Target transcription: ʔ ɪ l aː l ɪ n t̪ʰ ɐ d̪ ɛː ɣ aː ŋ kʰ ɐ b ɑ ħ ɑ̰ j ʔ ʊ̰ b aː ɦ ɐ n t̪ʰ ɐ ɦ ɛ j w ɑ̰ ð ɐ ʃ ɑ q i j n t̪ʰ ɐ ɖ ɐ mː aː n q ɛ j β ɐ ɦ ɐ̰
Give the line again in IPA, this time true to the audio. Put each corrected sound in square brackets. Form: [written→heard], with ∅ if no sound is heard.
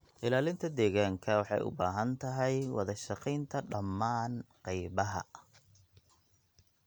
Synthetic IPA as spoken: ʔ ɪ l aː l ɪ n t̪ʰ ɐ d̪ ɛː ɣ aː ŋ kʰ ɐ [b→w] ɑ ħ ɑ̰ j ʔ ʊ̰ b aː ɦ ɐ n t̪ʰ ɐ ɦ ɛ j w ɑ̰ ð ɐ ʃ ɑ q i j n t̪ʰ ɐ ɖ ɐ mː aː n q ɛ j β ɐ ɦ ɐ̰